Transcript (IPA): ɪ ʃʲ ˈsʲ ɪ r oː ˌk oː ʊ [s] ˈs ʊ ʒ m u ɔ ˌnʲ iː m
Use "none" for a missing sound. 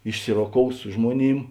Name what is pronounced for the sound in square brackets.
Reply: s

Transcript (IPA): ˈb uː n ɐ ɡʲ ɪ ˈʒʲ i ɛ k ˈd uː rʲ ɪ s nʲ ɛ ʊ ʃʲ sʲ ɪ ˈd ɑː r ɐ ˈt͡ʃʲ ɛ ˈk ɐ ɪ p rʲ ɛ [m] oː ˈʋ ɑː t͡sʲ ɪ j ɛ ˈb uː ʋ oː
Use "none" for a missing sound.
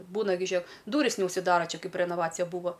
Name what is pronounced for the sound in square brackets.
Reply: n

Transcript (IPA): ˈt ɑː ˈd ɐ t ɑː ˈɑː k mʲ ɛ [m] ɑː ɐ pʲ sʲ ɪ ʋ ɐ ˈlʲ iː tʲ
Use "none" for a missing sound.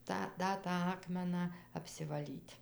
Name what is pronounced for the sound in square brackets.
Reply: n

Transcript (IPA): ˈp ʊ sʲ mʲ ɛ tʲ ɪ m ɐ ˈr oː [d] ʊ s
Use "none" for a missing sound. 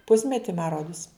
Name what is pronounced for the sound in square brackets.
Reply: d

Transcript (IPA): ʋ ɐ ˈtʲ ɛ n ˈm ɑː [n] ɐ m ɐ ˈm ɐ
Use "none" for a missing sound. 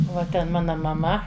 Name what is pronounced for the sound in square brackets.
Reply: n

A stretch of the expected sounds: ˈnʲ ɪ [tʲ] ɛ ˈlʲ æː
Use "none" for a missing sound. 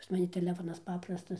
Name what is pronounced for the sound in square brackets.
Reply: tʲ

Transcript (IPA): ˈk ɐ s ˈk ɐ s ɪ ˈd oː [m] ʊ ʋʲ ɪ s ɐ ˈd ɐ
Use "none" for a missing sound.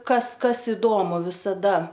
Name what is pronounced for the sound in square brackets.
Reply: m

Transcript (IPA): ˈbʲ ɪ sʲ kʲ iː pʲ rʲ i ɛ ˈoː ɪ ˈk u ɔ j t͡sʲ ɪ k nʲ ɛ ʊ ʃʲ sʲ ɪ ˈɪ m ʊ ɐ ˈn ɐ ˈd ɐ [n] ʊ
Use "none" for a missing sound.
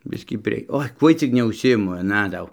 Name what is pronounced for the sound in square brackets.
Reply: none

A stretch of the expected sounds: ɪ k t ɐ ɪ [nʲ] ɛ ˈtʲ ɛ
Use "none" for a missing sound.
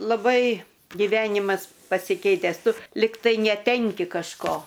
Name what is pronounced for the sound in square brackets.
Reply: nʲ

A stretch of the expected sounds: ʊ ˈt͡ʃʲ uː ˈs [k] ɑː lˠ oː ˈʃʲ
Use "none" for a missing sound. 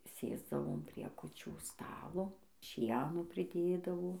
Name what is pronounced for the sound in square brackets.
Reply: t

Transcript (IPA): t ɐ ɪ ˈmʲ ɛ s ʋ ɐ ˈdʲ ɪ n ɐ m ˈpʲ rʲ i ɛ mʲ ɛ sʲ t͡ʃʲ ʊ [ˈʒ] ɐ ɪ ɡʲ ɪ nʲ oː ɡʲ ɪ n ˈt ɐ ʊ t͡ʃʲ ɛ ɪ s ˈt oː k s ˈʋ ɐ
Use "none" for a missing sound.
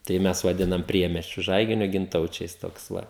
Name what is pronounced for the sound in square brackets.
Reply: ʒ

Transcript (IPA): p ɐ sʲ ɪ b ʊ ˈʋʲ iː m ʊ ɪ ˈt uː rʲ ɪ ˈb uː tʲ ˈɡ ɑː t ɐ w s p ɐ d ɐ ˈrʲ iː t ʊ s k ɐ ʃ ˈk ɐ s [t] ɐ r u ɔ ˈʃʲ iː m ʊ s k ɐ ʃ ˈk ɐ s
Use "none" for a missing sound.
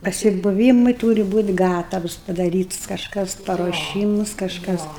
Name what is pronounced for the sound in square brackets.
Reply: p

